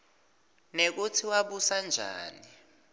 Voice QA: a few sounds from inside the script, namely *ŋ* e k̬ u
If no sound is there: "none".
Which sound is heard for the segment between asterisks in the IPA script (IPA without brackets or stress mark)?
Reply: n